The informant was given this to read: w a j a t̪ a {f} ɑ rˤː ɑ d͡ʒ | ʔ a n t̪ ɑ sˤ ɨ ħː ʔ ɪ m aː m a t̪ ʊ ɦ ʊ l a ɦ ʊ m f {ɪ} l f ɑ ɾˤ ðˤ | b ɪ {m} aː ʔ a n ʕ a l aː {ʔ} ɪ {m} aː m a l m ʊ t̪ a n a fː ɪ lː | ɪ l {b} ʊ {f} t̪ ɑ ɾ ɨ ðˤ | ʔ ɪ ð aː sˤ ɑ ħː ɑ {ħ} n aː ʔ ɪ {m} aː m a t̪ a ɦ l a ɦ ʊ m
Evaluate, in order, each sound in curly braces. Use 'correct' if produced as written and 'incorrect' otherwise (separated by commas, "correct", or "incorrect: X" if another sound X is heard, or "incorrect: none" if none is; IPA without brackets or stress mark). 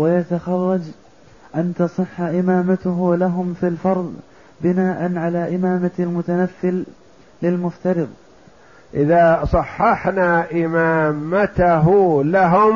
incorrect: x, incorrect: i, incorrect: n, correct, correct, incorrect: m, correct, correct, correct